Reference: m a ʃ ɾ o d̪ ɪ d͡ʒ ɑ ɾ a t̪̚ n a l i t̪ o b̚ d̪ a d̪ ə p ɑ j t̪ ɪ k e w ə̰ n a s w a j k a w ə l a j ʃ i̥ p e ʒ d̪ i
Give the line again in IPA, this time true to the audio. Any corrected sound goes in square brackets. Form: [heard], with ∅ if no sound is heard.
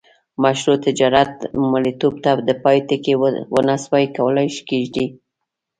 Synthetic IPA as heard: m a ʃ ɾ o [t̪] ɪ d͡ʒ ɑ ɾ a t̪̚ [m] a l i t̪ o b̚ [t̪] a d̪ ə p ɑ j t̪ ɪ k e w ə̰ n a s w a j k a w ə l a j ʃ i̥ [k] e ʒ d̪ i